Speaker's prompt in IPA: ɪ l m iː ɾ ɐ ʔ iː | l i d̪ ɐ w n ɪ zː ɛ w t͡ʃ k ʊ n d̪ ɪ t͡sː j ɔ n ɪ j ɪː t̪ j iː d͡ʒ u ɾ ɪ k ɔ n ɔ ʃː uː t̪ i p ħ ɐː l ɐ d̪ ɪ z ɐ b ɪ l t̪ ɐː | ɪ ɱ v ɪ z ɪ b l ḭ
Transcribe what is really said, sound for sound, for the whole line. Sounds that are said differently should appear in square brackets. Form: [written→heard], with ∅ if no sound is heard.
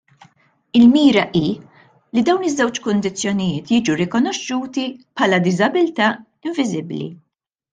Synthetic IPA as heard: ɪ l m iː ɾ ɐ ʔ iː | l i d̪ ɐ w n ɪ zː ɛ w t͡ʃ k ʊ n d̪ ɪ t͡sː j ɔ n ɪ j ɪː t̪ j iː d͡ʒ u ɾ ɪ k ɔ n ɔ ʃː uː t̪ i p ħ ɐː l ɐ d̪ ɪ z ɐ b ɪ l t̪ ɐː | ɪ ɱ v ɪ z ɪ b l ḭ